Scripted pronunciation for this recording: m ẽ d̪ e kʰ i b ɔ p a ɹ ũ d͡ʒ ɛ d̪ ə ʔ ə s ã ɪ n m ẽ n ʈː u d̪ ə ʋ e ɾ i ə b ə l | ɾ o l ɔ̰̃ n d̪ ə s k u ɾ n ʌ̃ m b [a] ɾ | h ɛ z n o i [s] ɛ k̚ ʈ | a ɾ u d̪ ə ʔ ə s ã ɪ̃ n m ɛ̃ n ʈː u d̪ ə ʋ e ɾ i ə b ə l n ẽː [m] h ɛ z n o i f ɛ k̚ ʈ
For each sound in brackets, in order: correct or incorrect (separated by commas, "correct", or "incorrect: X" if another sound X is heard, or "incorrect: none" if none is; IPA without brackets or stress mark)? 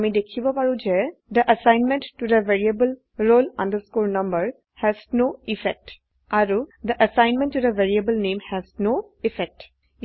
incorrect: ə, incorrect: f, correct